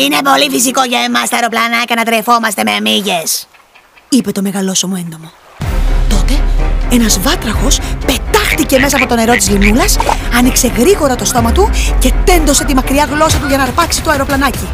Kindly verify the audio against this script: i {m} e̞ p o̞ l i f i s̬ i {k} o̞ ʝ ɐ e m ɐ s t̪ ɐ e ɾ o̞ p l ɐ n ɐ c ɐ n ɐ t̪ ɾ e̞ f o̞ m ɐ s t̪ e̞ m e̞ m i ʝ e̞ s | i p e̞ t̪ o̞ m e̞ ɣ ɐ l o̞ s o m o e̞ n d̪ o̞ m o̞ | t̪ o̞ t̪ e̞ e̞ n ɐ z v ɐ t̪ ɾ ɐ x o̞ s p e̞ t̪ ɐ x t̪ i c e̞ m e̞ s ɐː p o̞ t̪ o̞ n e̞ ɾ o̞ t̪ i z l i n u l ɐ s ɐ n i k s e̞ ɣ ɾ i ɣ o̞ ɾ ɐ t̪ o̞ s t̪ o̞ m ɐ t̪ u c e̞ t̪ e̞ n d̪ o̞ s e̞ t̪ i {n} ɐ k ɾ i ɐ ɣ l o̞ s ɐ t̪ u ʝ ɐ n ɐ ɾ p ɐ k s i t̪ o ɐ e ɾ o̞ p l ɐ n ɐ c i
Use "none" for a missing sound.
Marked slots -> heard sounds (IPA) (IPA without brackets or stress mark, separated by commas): n, k, m